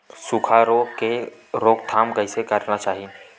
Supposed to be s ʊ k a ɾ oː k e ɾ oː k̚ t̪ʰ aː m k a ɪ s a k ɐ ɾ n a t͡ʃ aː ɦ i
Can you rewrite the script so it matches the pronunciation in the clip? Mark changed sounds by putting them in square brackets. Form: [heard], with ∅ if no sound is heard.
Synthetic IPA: s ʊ [kʰ] a ɾ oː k e ɾ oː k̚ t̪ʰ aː m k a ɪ s [e] k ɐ ɾ n a t͡ʃ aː ɦ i